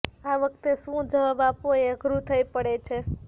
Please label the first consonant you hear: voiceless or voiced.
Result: voiced